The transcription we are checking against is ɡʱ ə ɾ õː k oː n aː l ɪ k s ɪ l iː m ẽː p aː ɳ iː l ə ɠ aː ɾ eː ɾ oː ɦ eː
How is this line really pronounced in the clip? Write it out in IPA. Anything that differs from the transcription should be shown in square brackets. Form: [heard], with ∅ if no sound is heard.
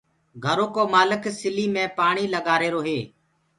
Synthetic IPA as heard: ɡʱ ə ɾ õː k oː [m] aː l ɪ k s ɪ l iː m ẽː p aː ɳ iː l ə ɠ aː ɾ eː ɾ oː ɦ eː